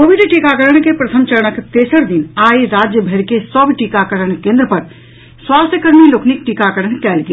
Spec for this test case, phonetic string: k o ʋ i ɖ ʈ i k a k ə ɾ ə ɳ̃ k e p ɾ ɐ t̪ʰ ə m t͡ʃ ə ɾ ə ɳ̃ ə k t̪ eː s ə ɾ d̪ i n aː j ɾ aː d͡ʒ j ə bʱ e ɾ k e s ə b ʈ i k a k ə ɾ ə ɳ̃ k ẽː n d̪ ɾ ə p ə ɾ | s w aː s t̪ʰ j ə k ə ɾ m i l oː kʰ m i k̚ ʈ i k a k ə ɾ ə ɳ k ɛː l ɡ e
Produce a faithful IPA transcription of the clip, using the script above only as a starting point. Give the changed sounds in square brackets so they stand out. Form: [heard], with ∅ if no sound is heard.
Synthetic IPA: k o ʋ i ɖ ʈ i k a k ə ɾ ə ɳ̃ k e p ɾ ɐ t̪ʰ ə m t͡ʃ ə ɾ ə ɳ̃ ə k t̪ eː s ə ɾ d̪ i n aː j ɾ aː d͡ʒ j ə bʱ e ɾ k e s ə b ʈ i k a k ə ɾ ə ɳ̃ k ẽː n d̪ ɾ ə p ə ɾ | s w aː s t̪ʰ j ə k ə ɾ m i l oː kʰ [n] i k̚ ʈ i k a k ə ɾ ə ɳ k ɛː l ɡ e